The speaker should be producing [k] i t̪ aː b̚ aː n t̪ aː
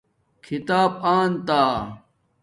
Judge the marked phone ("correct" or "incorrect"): incorrect